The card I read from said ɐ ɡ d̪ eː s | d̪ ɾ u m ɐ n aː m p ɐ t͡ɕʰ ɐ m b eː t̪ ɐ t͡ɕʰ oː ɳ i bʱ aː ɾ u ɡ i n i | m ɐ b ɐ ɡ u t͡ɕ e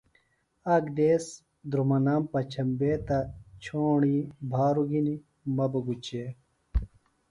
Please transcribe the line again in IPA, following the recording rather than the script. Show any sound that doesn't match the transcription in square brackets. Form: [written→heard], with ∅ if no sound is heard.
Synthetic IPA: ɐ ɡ d̪ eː s | d̪ ɾ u m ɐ n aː m p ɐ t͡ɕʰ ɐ m b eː t̪ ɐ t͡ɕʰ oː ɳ i bʱ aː ɾ u ɡ i n i | m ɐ b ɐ ɡ u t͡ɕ e